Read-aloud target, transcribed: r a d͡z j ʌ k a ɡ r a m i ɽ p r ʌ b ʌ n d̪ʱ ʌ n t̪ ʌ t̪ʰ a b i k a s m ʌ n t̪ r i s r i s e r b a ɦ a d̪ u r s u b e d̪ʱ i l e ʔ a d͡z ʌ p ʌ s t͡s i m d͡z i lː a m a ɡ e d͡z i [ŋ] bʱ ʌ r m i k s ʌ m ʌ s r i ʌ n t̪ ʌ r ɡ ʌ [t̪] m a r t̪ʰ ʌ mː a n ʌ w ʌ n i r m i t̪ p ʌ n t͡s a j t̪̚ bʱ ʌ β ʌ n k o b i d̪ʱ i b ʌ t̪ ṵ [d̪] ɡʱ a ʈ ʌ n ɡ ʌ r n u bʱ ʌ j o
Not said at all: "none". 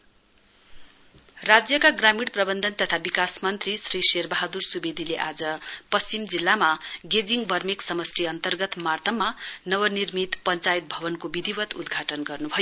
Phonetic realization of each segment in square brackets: ŋ, t̪, d̪

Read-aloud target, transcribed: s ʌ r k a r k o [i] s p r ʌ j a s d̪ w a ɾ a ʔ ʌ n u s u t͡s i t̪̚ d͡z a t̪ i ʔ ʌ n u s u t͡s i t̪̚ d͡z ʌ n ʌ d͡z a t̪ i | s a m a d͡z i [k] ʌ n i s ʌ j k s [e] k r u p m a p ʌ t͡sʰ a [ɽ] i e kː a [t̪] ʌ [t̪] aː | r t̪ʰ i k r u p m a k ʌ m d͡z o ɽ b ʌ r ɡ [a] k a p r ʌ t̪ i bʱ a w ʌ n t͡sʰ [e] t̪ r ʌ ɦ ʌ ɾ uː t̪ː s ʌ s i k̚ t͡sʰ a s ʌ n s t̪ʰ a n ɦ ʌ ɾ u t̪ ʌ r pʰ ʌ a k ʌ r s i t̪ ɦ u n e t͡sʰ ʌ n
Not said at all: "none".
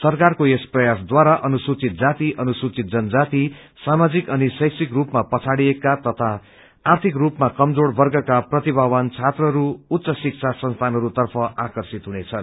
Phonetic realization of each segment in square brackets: e, k, i, ɽ, t̪, t̪ʰ, ʌ, a

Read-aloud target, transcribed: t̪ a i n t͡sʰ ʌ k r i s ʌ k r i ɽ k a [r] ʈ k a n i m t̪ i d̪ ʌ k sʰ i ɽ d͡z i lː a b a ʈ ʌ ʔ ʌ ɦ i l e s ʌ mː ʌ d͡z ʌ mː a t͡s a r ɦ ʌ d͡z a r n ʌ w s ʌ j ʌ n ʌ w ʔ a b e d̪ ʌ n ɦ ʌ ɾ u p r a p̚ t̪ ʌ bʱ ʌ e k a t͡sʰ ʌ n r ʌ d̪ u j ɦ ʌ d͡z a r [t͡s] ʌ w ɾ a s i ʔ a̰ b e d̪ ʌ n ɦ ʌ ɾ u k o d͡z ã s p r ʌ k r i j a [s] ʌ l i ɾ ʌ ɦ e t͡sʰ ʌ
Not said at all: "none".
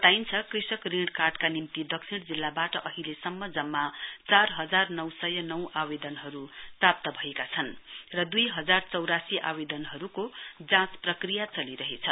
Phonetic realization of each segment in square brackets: r, t͡s, t͡s

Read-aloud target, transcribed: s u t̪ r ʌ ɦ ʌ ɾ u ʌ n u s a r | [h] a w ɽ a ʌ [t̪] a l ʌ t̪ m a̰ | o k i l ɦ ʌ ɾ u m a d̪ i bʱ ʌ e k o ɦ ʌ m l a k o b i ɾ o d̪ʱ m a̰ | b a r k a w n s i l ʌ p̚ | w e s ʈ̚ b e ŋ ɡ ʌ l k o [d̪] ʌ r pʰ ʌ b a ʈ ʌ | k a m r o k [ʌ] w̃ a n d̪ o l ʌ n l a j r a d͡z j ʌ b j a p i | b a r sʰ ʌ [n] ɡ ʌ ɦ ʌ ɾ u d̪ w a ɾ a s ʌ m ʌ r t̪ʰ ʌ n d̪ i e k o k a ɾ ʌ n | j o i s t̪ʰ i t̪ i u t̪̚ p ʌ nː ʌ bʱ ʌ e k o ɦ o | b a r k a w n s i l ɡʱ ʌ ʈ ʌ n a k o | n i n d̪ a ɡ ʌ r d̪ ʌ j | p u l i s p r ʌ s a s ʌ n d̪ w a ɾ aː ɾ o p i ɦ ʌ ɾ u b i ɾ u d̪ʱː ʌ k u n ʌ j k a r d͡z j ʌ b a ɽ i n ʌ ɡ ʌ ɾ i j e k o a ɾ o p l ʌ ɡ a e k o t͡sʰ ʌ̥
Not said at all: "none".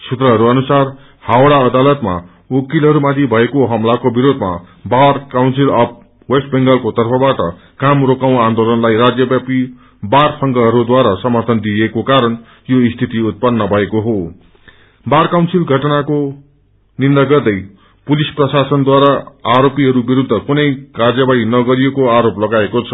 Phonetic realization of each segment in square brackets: h, d̪, t̪, a, ŋ

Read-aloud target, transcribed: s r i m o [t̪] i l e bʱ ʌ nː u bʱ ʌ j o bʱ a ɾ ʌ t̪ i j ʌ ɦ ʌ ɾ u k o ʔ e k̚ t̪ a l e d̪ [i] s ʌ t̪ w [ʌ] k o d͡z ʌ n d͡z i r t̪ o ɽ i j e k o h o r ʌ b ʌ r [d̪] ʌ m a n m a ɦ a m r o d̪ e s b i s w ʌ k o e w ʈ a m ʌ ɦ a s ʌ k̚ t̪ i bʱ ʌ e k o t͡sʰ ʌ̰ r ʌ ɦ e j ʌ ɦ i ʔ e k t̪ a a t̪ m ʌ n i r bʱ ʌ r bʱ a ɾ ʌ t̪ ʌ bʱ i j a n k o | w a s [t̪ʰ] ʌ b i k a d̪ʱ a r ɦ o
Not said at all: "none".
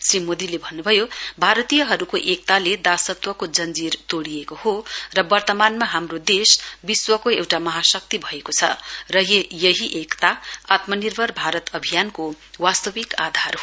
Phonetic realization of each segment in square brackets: d̪, a, ʌ, t̪, t̪

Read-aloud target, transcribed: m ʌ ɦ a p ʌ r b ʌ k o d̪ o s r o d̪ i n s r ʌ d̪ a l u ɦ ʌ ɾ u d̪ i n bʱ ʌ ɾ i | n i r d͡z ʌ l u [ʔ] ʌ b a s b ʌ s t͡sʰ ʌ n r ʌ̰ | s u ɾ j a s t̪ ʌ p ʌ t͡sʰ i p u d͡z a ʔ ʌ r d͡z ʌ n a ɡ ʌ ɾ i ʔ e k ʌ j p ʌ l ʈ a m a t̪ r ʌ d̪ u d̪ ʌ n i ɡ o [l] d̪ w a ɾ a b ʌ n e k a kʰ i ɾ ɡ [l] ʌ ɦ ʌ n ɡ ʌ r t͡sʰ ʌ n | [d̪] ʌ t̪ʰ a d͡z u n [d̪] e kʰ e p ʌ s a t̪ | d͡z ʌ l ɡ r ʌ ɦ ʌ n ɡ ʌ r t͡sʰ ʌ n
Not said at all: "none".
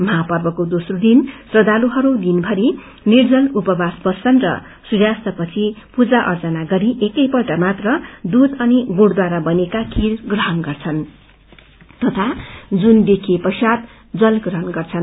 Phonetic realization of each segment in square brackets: p, ɽ, r, t̪, d̪

